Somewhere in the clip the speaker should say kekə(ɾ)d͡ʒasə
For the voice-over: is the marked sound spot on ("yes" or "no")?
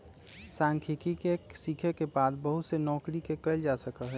no